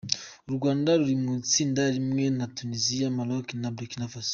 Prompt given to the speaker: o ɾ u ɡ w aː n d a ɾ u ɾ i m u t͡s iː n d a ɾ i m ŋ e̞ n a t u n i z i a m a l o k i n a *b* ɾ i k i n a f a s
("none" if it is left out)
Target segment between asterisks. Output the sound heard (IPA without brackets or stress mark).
b